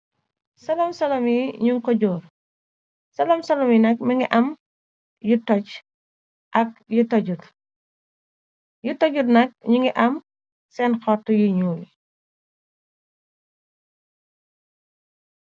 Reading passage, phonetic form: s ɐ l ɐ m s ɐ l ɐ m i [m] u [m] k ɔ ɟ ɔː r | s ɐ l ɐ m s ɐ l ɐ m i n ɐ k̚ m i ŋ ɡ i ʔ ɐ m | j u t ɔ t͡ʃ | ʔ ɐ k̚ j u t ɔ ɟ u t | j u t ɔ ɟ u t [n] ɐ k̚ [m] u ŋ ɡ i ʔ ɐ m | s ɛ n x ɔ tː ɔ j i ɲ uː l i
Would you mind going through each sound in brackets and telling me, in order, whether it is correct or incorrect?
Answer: incorrect: ɲ, incorrect: ŋ, correct, incorrect: ɲ

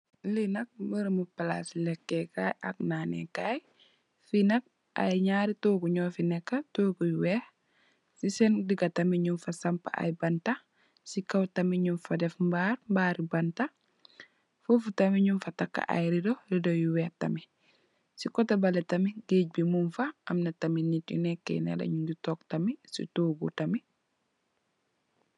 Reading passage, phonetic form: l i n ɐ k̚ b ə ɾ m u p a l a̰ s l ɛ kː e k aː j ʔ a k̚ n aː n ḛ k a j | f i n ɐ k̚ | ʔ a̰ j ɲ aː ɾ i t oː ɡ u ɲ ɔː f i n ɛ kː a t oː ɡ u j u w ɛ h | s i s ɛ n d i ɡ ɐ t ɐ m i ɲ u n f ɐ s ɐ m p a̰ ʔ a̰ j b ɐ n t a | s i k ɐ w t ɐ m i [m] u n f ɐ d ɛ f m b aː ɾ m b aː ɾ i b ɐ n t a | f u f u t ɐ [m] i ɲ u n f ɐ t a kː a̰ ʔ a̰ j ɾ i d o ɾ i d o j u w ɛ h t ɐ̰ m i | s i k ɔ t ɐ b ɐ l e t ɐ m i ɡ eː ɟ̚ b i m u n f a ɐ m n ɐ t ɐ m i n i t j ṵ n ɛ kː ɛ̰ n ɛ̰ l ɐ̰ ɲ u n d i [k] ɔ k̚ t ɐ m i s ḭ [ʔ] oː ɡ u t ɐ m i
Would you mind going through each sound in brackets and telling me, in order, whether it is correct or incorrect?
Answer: incorrect: ɲ, correct, incorrect: t, incorrect: t

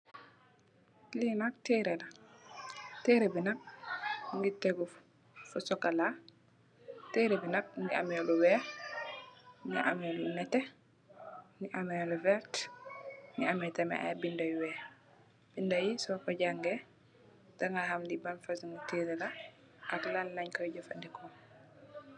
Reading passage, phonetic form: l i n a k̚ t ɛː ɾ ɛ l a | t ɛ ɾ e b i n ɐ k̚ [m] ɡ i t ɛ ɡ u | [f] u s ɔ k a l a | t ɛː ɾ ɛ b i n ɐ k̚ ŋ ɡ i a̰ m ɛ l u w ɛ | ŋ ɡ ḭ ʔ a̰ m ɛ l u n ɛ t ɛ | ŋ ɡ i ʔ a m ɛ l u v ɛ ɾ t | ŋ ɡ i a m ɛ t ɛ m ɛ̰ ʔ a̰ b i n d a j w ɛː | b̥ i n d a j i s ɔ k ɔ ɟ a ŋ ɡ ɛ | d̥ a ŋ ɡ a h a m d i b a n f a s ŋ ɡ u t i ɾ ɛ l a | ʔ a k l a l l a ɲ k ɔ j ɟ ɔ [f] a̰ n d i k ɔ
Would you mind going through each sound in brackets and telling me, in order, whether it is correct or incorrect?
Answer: incorrect: ŋ, correct, correct

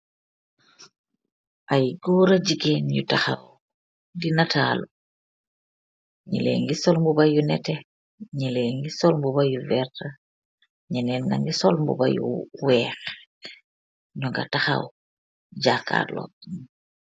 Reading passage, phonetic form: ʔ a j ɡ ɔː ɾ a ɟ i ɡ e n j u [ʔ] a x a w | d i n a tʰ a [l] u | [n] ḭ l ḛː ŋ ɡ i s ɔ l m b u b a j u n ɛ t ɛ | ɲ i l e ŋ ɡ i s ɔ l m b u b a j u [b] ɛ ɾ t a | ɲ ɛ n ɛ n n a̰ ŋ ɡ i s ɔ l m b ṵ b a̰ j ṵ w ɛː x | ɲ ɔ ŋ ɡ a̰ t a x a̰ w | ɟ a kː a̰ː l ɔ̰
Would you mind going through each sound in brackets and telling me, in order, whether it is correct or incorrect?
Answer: incorrect: t, correct, incorrect: ɲ, incorrect: v

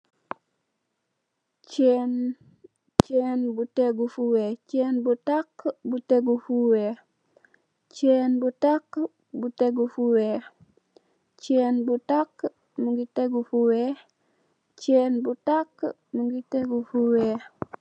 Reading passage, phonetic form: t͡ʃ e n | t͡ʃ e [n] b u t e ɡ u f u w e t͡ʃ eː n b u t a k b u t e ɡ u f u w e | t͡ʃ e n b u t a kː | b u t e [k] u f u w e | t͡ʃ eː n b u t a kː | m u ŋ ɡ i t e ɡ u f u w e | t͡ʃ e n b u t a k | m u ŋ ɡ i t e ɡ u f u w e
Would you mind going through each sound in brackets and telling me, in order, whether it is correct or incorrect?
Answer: correct, incorrect: ɡ

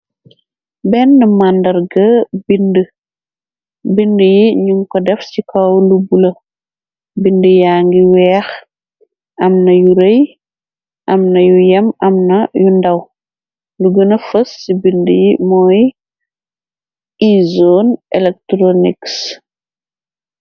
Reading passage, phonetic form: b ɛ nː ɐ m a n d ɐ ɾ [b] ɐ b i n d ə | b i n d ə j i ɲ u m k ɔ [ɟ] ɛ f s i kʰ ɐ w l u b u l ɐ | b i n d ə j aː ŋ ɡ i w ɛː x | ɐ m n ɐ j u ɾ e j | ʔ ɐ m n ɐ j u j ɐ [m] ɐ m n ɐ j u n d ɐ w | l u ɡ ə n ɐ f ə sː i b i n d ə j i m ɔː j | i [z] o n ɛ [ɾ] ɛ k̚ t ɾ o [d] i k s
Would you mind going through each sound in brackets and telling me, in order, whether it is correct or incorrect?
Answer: incorrect: ɡ, incorrect: d, correct, correct, incorrect: l, incorrect: n

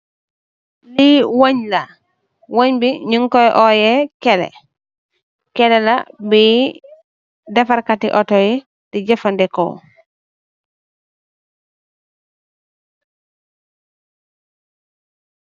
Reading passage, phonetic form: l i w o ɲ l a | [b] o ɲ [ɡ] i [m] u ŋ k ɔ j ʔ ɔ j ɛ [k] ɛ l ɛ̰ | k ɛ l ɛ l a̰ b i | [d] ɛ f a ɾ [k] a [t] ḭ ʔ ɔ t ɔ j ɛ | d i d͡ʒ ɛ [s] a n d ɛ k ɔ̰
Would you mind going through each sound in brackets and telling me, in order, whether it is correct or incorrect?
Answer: incorrect: w, incorrect: b, incorrect: ɲ, correct, correct, correct, correct, incorrect: f

